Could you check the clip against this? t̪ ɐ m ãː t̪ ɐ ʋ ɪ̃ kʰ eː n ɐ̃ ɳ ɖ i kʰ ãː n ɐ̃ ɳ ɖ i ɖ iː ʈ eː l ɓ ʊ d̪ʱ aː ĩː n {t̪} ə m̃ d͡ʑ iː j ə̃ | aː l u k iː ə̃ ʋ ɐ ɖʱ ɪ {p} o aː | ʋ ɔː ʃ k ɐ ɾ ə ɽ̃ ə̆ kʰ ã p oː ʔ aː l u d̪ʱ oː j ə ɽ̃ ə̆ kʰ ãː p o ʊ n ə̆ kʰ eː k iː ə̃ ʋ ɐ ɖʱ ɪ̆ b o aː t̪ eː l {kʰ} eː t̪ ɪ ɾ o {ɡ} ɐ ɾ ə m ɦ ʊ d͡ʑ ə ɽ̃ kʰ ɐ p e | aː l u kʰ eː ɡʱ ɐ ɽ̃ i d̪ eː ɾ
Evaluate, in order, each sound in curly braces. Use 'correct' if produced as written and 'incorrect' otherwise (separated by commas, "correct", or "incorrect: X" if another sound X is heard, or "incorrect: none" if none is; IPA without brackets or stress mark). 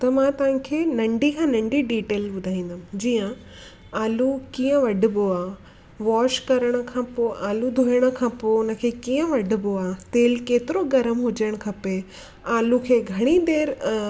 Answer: incorrect: d̪, incorrect: b, incorrect: k, correct